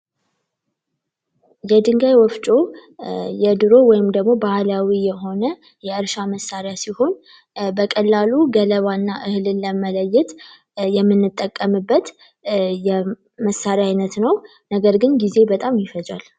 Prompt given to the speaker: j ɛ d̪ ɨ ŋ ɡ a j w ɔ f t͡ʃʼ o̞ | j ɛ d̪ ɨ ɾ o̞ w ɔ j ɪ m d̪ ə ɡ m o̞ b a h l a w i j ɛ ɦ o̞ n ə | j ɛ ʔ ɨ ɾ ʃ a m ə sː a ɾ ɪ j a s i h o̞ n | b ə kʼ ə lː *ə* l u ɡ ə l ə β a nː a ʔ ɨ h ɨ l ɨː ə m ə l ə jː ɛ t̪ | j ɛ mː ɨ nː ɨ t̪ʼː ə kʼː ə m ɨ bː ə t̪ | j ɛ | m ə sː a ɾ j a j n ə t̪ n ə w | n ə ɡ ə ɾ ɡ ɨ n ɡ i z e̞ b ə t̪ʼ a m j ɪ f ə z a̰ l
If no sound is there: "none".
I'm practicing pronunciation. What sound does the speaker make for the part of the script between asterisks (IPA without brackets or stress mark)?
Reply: a